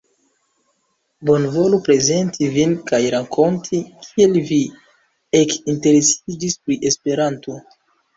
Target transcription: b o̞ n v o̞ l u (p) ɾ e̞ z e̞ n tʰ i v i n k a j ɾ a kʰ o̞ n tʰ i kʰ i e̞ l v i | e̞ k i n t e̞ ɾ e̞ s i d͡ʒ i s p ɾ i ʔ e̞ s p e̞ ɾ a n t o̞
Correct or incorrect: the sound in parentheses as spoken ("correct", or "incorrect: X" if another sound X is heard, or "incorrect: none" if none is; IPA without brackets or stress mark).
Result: correct